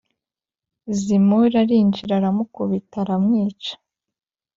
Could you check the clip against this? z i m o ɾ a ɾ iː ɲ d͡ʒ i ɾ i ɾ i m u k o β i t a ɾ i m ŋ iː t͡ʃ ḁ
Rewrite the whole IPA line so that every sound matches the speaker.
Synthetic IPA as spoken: z i m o ɾ a ɾ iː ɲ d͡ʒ i ɾ a ɾ a m u k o β i t a ɾ a m ŋ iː t͡ʃ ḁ